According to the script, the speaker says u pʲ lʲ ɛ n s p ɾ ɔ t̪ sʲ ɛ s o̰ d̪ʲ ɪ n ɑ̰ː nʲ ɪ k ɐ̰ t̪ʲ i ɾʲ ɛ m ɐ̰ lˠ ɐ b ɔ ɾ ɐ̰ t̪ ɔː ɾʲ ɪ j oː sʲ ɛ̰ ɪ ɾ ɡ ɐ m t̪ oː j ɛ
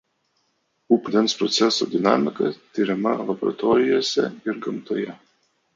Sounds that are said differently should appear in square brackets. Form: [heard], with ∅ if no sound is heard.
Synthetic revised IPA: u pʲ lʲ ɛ n s p ɾ ɔ t̪ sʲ ɛ s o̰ d̪ʲ ɪ n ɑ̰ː [mʲ] ɪ k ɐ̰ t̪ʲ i ɾʲ ɛ m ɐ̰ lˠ ɐ b ɔ ɾ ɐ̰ t̪ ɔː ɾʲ ɪ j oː sʲ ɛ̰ ɪ ɾ ɡ ɐ m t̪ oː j ɛ